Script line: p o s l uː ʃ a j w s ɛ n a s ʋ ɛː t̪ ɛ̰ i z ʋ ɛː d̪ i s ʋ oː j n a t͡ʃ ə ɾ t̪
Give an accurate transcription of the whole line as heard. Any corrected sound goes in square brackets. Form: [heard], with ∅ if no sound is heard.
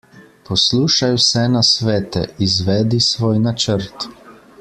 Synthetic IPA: p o s l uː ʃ a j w s ɛ n a s ʋ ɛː t̪ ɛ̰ i z ʋ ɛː d̪ i s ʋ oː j n a t͡ʃ ə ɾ t̪